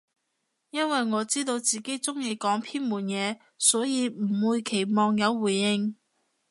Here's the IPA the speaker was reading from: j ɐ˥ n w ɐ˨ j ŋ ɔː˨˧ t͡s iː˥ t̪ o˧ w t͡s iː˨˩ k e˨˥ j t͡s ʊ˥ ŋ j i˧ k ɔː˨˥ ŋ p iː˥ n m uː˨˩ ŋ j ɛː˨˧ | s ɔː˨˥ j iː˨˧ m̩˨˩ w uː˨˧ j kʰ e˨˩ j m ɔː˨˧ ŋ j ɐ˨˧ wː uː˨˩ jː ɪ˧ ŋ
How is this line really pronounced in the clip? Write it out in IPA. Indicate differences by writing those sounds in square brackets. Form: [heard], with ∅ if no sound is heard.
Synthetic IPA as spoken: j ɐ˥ n w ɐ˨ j ŋ ɔː˨˧ t͡s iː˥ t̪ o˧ w t͡s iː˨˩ k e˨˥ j t͡s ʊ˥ ŋ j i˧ k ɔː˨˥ ŋ [pʰ] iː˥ n m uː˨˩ [n] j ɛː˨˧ | s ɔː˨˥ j iː˨˧ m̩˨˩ w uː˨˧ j kʰ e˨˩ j m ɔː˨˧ ŋ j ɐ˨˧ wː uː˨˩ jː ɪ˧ ŋ